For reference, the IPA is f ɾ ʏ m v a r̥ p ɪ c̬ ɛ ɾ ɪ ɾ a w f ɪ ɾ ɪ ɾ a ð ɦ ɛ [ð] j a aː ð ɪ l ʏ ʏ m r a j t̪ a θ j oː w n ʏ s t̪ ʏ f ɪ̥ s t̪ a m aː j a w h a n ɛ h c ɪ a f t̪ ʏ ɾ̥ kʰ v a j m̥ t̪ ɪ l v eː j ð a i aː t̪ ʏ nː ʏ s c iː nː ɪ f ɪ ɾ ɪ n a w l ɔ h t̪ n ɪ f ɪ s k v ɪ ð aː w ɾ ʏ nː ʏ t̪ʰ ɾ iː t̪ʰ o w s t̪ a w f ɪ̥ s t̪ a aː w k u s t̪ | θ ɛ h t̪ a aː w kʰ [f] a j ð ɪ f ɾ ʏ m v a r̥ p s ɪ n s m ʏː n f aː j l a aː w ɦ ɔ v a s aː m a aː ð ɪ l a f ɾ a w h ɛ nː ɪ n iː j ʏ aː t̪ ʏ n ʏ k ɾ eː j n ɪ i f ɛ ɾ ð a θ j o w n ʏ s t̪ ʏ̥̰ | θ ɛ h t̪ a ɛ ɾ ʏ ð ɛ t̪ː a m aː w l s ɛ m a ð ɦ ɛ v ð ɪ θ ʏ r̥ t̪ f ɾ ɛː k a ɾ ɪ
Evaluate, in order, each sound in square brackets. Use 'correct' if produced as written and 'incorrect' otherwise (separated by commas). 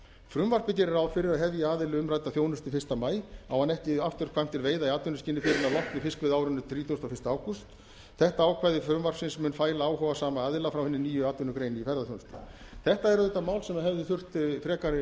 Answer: incorrect, incorrect